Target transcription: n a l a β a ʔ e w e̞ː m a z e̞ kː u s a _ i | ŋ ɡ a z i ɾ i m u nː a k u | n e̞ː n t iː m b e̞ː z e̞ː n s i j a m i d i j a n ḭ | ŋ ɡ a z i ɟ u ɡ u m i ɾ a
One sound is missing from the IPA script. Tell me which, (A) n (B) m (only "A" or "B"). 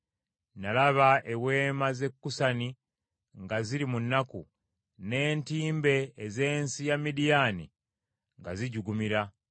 A